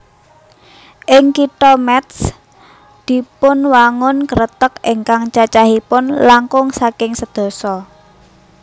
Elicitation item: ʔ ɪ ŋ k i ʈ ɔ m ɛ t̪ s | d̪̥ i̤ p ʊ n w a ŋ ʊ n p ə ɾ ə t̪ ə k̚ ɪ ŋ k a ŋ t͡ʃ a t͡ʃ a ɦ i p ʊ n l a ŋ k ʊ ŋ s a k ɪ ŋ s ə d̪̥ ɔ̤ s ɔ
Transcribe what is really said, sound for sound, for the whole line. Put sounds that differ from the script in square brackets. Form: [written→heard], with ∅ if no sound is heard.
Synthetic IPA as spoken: ʔ ɪ ŋ k i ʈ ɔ m ɛ t̪ s | d̪̥ i̤ p ʊ n w a ŋ ʊ n [p→k] ə ɾ ə t̪ ə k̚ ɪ ŋ k a ŋ t͡ʃ a t͡ʃ a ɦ i p ʊ n l a ŋ k ʊ ŋ s a k ɪ ŋ s ə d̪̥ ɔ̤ s ɔ